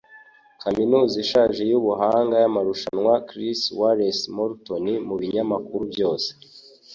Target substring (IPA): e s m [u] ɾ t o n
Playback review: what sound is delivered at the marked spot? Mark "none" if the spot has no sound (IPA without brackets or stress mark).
o